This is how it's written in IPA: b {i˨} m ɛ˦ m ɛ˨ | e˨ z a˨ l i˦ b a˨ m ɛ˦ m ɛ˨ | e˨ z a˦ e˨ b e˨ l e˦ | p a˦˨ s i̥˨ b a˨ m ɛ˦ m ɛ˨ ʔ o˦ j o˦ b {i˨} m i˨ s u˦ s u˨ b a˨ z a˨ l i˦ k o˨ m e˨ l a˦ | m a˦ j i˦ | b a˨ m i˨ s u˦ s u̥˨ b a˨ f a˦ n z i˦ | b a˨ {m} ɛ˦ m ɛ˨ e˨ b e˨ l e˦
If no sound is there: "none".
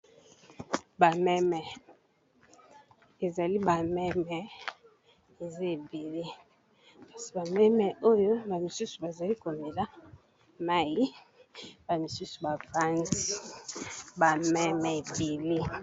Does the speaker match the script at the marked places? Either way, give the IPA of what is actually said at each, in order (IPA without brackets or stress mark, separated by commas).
a˨, a˨, m